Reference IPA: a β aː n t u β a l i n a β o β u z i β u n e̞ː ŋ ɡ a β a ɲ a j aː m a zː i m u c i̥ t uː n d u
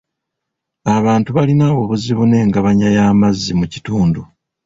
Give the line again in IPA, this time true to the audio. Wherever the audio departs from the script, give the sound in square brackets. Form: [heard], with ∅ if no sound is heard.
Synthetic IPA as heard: a β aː n t u β a l i n a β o β u z i β u n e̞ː ŋ ɡ a β a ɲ a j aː m a zː i m u c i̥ t uː n d u